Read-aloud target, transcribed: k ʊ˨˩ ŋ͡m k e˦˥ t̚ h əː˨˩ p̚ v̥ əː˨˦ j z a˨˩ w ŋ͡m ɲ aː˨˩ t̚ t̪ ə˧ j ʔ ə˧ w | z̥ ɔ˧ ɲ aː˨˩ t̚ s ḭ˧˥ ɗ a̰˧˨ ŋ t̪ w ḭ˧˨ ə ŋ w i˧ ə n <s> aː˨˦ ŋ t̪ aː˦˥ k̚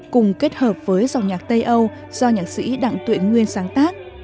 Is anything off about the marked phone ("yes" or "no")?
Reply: no